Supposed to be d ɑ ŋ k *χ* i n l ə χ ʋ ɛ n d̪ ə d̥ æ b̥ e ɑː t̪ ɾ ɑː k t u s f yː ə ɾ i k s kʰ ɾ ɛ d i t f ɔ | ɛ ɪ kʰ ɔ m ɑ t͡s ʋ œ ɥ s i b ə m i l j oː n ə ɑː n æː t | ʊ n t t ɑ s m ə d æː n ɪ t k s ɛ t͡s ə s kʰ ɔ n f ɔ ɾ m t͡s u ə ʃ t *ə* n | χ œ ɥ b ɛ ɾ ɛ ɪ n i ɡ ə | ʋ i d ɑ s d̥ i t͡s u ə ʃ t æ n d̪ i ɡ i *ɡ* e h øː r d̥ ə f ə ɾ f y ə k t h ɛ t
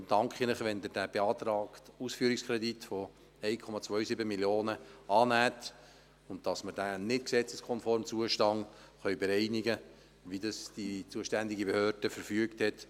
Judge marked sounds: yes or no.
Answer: yes, no, no

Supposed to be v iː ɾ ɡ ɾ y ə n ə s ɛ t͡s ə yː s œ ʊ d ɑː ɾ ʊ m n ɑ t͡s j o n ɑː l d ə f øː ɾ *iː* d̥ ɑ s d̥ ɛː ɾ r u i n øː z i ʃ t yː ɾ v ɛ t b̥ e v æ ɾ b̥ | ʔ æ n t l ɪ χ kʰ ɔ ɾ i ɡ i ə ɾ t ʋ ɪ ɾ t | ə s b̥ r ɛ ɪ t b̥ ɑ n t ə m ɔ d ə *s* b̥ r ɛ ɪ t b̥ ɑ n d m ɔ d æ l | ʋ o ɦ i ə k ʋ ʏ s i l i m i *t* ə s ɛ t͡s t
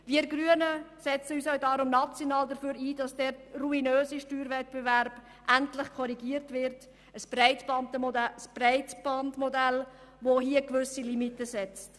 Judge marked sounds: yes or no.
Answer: yes, yes, yes

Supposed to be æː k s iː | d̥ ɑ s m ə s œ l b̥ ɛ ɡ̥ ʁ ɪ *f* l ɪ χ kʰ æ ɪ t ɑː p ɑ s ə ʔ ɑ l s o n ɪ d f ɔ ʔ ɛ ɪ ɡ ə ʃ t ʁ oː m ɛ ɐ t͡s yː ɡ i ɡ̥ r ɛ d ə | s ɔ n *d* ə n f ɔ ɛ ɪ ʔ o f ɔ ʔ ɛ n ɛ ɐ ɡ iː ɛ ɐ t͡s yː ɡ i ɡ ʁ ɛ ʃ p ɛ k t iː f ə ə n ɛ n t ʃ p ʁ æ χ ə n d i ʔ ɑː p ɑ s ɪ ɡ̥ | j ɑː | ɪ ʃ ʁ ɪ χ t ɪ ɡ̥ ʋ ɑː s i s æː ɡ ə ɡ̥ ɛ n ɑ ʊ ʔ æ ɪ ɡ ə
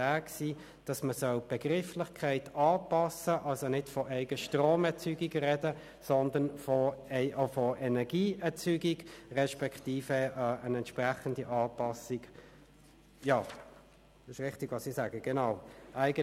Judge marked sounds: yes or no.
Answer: yes, yes

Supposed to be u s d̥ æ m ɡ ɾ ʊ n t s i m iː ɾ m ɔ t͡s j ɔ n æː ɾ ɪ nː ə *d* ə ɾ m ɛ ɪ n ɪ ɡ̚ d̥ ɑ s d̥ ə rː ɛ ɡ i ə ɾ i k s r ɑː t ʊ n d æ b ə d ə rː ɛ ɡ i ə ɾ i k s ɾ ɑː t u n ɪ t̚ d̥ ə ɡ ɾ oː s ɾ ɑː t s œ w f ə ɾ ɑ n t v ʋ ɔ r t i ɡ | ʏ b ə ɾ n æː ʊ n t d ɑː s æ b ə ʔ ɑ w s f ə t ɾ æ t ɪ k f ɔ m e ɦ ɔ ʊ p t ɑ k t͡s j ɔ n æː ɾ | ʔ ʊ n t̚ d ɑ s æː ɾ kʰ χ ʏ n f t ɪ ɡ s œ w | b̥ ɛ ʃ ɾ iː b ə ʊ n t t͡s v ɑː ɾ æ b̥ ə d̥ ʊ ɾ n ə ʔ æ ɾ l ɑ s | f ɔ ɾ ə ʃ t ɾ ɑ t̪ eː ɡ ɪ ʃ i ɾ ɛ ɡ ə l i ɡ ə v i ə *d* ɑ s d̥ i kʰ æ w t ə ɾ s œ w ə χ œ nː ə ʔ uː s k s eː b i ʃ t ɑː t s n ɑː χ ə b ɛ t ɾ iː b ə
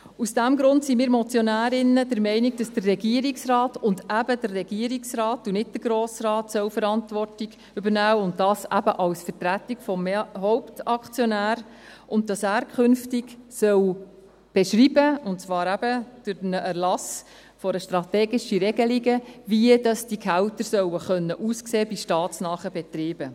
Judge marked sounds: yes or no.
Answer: yes, yes

